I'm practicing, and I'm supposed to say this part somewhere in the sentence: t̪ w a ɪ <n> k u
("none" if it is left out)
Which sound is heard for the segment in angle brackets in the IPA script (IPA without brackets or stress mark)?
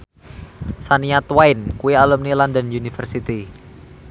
n